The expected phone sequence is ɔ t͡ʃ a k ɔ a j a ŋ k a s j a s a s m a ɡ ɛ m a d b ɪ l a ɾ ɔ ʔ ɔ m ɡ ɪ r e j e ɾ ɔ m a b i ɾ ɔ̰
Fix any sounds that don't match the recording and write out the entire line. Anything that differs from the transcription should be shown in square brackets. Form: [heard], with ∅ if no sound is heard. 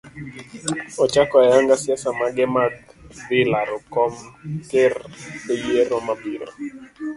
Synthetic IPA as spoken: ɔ t͡ʃ a k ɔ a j a ŋ [ɡ] a s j a s a [∅] m a ɡ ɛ m a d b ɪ l a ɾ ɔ [k] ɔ m [k] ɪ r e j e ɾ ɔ m a b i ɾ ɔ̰